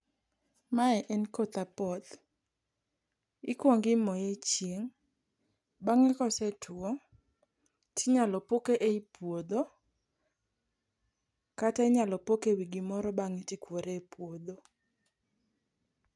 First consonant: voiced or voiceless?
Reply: voiced